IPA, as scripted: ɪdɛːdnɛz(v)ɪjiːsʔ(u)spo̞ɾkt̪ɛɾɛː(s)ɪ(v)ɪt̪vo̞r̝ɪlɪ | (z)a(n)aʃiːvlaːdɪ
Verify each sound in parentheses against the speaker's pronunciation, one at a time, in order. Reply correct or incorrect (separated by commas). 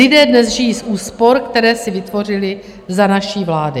incorrect, incorrect, correct, correct, correct, correct